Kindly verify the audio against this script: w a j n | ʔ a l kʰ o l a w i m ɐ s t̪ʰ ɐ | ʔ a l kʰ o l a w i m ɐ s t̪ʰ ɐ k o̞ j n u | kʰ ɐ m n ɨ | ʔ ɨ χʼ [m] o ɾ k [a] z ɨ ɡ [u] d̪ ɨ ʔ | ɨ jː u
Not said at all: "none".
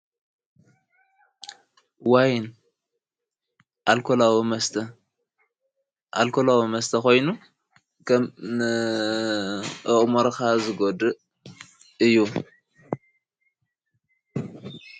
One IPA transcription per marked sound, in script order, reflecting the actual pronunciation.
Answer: m, a, o

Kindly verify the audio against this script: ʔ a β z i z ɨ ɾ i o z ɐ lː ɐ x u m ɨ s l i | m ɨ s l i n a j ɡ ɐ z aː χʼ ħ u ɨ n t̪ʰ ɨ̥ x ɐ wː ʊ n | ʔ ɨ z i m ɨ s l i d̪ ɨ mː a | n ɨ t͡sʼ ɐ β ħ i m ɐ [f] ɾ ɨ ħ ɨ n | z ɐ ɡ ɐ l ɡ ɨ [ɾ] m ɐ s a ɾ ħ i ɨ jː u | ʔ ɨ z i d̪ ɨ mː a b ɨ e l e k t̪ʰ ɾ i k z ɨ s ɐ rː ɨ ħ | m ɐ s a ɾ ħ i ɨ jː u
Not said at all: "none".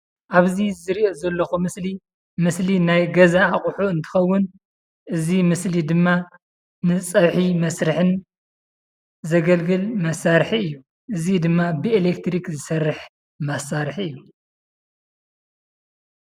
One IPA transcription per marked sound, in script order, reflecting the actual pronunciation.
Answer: s, l

